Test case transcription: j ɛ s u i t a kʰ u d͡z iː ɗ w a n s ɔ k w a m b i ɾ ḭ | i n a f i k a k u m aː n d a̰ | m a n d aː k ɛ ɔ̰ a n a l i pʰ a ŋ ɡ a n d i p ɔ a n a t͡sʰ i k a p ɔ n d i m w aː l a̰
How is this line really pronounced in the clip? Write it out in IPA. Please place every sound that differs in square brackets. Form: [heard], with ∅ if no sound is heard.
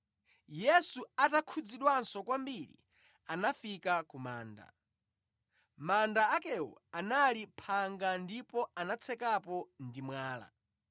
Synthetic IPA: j ɛ s u [a] t a kʰ u d͡z [i] ɗ w a n s ɔ k w a m b i ɾ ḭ | [a] n a f i k a k u m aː n d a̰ | m a n d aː k ɛ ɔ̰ a n a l i pʰ a ŋ ɡ a n d i p ɔ a n a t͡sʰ [ɛ] k a p ɔ n d i m w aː l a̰

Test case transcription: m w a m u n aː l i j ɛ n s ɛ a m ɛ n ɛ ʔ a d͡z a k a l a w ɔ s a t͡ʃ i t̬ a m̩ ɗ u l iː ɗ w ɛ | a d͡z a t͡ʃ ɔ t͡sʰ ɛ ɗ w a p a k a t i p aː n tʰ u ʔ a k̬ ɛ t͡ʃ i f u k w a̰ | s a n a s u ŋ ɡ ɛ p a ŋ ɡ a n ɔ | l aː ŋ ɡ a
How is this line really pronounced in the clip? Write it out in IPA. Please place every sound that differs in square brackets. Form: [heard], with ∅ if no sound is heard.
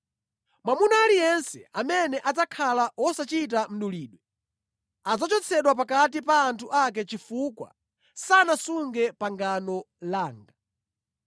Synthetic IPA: m w a m u n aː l i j ɛ n s ɛ a m ɛ n ɛ ʔ a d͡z a [kʰ] a l a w ɔ s a t͡ʃ i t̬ a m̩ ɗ u l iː ɗ w ɛ | a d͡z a t͡ʃ ɔ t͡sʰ ɛ ɗ w a p a k a t i p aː n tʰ u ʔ a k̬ ɛ t͡ʃ i f u k w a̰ | s a n a s u ŋ ɡ ɛ p a ŋ ɡ a n ɔ | l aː ŋ ɡ a

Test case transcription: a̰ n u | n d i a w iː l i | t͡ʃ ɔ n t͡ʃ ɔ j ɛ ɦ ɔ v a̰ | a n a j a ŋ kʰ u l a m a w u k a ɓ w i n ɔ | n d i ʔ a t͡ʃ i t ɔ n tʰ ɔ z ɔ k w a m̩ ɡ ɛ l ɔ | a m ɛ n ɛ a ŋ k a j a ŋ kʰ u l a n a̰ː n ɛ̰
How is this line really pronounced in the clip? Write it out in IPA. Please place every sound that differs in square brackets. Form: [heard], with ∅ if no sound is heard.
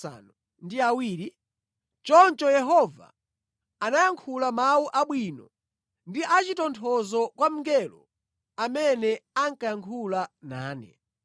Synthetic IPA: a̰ n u | n d i a w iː [ɾ] i | t͡ʃ ɔ n t͡ʃ ɔ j ɛ ɦ ɔ v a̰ | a n a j a ŋ kʰ u l a m a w u [ʔ] a ɓ w i n ɔ | n d i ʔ a t͡ʃ i t ɔ n tʰ ɔ z ɔ k w a m̩ ɡ ɛ l ɔ | a m ɛ n ɛ a ŋ k a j a ŋ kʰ u l a n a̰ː n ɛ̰

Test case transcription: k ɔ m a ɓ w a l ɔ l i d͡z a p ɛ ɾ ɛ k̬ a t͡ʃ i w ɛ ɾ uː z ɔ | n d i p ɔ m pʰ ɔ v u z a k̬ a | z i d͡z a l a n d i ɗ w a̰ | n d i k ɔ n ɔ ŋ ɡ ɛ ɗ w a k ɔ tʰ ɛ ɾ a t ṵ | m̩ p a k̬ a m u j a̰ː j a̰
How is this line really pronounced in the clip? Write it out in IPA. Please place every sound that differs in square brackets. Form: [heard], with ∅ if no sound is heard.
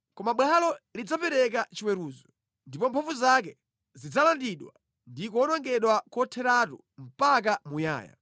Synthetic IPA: k ɔ m a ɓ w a l ɔ l i d͡z a p ɛ ɾ ɛ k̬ a t͡ʃ i w ɛ ɾ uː z ɔ | n d i p ɔ m pʰ ɔ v u z a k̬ [ɛ] | z i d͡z a l a n d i ɗ w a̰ | n d i k ɔ n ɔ ŋ ɡ ɛ ɗ w a k ɔ tʰ ɛ ɾ a t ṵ | m̩ p a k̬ a m u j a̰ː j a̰

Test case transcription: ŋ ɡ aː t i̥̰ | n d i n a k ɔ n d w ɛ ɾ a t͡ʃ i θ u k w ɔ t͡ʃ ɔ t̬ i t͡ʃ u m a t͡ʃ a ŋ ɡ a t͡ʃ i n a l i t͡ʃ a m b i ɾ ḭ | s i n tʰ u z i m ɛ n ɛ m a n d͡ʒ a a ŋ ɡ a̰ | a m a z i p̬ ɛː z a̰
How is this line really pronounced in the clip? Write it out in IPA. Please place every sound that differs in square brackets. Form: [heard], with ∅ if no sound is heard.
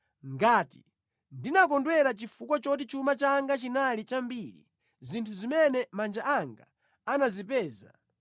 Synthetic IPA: ŋ ɡ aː t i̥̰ | n d i n a k ɔ n d w ɛ ɾ a t͡ʃ i [f] u k w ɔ t͡ʃ ɔ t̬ i t͡ʃ u m a t͡ʃ a ŋ ɡ a t͡ʃ i n a l i t͡ʃ a m b i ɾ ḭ | [z] i n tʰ u z i m ɛ n ɛ m a n d͡ʒ a a ŋ ɡ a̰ | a [n] a z i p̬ ɛː z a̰

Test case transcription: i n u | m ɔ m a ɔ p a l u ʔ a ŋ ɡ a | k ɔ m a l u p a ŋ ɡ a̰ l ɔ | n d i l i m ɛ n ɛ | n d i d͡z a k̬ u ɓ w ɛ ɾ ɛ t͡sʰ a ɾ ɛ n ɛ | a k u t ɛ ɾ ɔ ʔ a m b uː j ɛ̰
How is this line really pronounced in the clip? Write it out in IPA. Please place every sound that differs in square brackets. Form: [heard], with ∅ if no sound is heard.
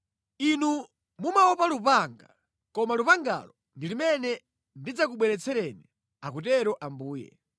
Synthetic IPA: i n u | m [u] m a ɔ p a l u [p] a ŋ ɡ a | k ɔ m a l u p a ŋ ɡ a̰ l ɔ | n d i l i m ɛ n ɛ | n d i d͡z a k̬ u ɓ w ɛ ɾ ɛ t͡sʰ [ɛ] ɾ ɛ n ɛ | a k u t ɛ ɾ ɔ ʔ a m b uː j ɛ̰

